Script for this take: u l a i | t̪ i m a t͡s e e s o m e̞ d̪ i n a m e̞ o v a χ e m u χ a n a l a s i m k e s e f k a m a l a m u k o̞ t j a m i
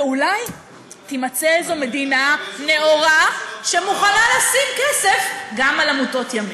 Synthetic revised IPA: u l a j | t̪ i m a t͡s e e z o m e̞ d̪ i n a n e̞ o ʁ a ʃ e m u χ a n a l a s i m k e s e f ɡ a m a l a m u t o̞ t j a m i